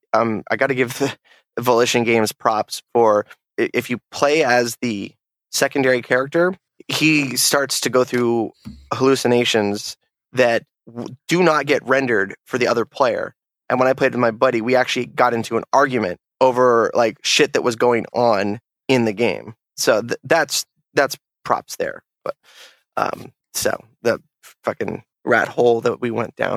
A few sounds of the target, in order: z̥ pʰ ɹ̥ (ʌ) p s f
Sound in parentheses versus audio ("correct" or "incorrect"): incorrect